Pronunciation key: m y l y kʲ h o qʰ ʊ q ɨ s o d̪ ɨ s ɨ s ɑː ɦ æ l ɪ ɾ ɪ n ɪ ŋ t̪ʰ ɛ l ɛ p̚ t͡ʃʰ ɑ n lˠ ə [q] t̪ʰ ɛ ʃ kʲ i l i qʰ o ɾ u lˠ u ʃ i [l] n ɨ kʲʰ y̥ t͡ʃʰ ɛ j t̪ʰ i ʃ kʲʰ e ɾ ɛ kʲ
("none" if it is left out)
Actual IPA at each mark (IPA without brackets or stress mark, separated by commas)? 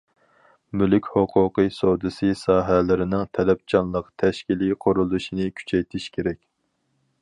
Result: q, none